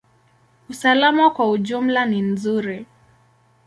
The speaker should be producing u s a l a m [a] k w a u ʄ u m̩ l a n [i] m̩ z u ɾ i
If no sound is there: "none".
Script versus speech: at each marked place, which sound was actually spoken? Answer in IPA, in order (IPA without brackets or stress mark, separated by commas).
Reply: a, i